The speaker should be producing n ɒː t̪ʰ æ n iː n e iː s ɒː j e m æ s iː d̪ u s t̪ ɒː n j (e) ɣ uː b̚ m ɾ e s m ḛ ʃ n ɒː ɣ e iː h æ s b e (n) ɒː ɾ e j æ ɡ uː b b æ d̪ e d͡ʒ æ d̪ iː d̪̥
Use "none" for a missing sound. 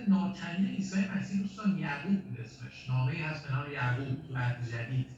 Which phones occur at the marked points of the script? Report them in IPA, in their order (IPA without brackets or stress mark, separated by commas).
æ, n